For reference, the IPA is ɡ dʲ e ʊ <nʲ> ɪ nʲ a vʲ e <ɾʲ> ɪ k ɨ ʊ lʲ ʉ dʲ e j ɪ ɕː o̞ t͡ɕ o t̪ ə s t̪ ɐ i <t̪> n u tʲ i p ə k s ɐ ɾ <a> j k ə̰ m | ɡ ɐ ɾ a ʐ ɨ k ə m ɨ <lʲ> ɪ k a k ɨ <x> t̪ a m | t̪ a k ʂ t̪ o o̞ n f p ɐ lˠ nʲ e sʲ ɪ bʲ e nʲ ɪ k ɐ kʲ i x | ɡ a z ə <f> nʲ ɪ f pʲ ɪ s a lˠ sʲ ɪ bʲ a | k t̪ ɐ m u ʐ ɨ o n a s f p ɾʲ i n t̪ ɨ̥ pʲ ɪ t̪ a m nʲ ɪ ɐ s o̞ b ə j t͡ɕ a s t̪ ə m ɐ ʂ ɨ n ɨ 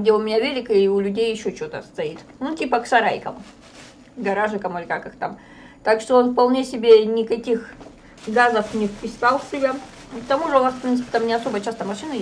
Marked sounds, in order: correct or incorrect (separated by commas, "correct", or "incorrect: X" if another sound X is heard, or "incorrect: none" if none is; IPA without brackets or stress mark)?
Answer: incorrect: mʲ, incorrect: lʲ, correct, correct, correct, correct, correct